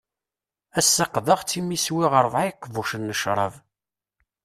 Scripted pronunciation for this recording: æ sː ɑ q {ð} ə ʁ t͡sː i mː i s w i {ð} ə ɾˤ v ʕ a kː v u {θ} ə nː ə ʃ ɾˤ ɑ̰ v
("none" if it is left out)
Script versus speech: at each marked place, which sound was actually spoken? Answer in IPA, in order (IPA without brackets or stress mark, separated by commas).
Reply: ð, ʁ, ʃ